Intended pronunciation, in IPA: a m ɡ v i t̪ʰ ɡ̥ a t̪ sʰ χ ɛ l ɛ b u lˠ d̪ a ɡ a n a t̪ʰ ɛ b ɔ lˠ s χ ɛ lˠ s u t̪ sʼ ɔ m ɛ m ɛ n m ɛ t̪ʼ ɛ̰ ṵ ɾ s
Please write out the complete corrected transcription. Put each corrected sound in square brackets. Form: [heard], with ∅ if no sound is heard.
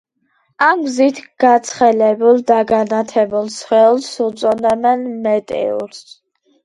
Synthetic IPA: a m ɡ [z] i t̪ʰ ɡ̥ a t̪ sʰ χ ɛ l ɛ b u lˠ d̪ a ɡ a n a t̪ʰ ɛ b [u] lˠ s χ ɛ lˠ s u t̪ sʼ ɔ [n] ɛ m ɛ n m ɛ t̪ʼ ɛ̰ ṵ ɾ s